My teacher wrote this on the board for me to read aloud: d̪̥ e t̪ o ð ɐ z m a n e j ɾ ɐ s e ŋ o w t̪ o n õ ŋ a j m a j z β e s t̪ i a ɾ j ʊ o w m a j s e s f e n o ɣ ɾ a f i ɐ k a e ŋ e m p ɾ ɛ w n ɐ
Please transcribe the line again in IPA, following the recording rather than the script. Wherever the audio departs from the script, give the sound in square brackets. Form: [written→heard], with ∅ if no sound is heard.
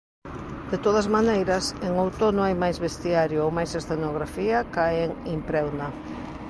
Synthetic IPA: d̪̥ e t̪ o ð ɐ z m a n e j ɾ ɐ s e ŋ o w t̪ o n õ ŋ a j m a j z β e s t̪ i a ɾ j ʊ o w m a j s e s [f→θ] e n o ɣ ɾ a f i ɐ k a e ŋ [e→i] m p ɾ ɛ w n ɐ